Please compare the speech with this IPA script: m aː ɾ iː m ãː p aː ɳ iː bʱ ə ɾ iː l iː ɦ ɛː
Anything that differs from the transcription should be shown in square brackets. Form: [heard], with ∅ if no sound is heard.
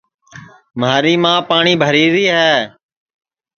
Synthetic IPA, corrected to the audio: m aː ɾ iː m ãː p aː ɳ iː bʱ ə ɾ iː [ɾ] iː ɦ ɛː